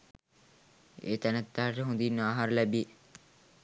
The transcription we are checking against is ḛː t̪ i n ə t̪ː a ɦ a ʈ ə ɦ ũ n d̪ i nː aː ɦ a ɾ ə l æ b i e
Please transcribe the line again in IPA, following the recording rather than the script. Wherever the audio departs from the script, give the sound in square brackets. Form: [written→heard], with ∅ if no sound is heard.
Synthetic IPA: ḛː t̪ [i→æ] n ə t̪ː a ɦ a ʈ ə ɦ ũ n d̪ i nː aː ɦ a ɾ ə l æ b i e